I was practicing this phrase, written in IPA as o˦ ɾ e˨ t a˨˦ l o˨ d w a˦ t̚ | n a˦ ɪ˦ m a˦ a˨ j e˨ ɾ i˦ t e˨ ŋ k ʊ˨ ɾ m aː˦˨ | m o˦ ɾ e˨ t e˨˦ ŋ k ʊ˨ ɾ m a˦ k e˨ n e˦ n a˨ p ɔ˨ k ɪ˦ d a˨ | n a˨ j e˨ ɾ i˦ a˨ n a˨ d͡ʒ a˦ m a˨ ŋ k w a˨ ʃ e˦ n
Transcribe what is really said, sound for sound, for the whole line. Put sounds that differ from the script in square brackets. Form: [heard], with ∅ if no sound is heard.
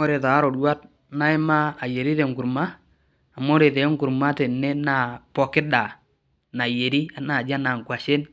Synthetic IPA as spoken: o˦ ɾ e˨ t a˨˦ [ɾ] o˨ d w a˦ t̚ | n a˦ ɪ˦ m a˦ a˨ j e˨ ɾ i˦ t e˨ ŋ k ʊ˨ ɾ m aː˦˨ | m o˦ ɾ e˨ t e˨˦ ŋ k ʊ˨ ɾ m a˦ [t] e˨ n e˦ n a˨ p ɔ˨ k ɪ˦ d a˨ | n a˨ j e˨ ɾ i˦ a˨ n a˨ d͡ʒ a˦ [n] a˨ ŋ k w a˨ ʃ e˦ n